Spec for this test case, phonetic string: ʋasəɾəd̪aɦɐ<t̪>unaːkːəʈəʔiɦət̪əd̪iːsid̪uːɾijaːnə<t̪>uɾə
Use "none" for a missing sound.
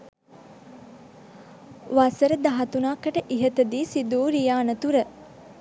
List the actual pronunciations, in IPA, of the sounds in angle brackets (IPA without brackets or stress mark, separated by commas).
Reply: t̪, t̪